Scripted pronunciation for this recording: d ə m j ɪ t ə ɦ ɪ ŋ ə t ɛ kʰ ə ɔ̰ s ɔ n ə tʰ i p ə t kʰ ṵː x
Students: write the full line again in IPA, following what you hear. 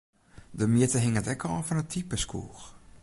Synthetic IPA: d ə m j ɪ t ə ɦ ɪ ŋ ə t ɛ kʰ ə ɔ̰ f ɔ n ə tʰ i p ə s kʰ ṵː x